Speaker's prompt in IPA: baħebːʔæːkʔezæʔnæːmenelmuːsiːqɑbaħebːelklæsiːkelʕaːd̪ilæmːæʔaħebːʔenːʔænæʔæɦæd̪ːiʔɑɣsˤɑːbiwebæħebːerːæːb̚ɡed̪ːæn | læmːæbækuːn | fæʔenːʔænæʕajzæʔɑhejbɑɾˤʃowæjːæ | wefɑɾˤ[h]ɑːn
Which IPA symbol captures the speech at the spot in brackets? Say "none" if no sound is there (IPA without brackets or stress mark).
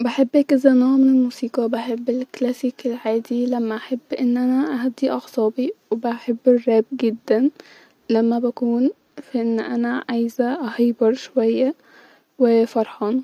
ħ